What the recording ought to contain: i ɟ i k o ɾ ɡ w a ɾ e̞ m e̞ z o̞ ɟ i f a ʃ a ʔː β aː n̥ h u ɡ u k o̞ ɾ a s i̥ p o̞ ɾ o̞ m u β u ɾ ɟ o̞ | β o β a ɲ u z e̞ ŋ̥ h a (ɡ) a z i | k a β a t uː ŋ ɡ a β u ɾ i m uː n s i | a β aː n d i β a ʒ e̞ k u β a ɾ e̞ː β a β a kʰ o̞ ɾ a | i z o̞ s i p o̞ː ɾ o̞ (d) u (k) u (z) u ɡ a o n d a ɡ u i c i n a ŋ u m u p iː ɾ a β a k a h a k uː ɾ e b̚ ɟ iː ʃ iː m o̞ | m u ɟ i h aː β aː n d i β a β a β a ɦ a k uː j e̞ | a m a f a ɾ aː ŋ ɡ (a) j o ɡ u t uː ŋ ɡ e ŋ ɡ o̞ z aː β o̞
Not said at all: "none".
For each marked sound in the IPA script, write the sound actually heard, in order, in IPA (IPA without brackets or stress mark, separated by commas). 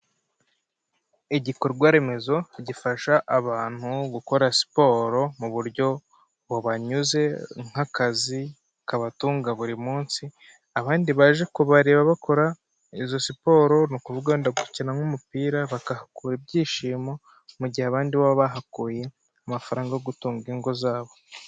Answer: k, n, k, v, a